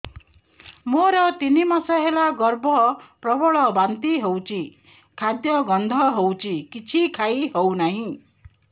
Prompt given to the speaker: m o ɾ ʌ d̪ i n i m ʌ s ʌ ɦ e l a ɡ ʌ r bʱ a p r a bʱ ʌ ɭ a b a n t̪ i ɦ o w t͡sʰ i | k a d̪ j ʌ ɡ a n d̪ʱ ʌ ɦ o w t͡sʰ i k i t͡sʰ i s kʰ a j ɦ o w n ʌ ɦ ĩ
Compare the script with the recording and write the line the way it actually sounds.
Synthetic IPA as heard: m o ɾ ʌ t̪ i n i m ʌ s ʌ ɦ e l a ɡ ʌ r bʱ ʌ p r ʌ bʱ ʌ ɭ ʌ b a n t̪ i ɦ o w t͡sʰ i | kʰ a d̪ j ʌ ɡ ʌ n d̪ʱ ʌ ɦ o w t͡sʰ i k i t͡sʰ i kʰ a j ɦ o w n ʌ ɦ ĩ